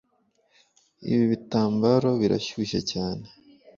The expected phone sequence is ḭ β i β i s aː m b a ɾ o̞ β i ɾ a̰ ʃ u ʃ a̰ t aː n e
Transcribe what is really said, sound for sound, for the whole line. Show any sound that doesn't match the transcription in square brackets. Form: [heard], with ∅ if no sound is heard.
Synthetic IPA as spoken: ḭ β i β i [t] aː m b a ɾ o̞ β i ɾ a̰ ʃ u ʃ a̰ [c] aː n e